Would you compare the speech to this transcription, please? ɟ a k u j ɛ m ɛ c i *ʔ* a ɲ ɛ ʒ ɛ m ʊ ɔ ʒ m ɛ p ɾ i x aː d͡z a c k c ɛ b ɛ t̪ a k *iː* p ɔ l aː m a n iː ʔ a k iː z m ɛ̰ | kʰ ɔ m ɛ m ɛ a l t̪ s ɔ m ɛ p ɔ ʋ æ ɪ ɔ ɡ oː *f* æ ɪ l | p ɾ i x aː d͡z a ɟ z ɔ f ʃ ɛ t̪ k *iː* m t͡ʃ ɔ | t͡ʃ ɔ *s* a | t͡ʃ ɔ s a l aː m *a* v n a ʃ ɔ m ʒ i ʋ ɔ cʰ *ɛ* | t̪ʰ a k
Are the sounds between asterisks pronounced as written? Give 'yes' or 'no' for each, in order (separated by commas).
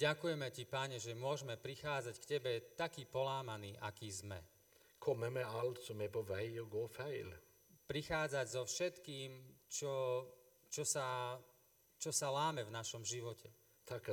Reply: no, yes, yes, yes, yes, no, yes